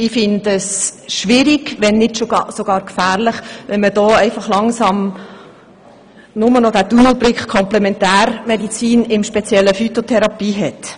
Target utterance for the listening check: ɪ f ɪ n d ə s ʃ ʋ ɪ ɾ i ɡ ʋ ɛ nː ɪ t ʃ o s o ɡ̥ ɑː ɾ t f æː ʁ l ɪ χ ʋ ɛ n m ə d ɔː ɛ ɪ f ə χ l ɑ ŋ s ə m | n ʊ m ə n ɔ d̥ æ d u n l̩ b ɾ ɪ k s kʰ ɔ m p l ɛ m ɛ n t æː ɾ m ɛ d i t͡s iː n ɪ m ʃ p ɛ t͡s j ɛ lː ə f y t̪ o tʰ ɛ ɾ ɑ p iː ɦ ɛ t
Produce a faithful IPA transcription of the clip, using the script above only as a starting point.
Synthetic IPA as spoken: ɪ f ɪ n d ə s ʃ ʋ ɪ ɾ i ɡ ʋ ɛ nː ɪ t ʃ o s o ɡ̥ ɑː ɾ k f æː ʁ l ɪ χ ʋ ɛ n m ə d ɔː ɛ ɪ f ɑ χ l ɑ ŋ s ɑ m | n ʊ m ə n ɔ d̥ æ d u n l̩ b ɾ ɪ k χ kʰ ɔ m p l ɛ m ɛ n t æː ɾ m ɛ d i t͡s iː n ɪ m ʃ p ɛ t͡s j ɛ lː ə f y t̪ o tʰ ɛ ɾ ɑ p iː ɦ ɛ t